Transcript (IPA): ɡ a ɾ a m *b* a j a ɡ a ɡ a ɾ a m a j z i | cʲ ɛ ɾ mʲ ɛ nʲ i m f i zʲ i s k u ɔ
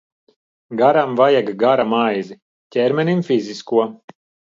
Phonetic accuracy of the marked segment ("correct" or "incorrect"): incorrect